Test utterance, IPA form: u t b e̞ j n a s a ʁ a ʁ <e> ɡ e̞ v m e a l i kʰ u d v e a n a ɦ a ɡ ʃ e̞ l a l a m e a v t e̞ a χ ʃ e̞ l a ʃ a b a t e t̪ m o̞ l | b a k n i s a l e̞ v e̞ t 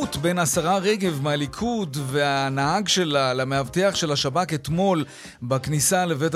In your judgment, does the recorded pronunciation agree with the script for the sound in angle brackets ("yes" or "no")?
yes